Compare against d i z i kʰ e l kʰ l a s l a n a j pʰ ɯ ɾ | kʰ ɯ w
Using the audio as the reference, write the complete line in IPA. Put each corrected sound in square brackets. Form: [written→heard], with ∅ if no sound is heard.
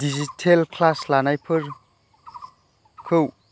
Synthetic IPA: d i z i [kʰ→tʰ] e l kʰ l a s l a n a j pʰ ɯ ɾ | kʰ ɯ w